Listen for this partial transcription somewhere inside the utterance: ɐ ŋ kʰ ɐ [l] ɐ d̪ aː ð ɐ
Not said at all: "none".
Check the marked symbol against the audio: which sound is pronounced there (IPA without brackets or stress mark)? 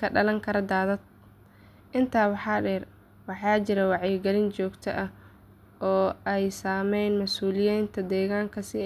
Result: ɾ